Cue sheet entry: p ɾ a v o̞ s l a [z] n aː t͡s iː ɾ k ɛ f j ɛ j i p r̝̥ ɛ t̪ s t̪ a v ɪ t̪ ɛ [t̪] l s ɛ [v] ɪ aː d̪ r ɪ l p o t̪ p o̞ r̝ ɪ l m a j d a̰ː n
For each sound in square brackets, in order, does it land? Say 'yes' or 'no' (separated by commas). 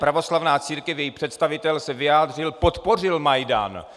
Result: no, no, yes